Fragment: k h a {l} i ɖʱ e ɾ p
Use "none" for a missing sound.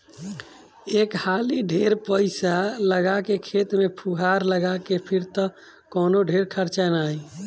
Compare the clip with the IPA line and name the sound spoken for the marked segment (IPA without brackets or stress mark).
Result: l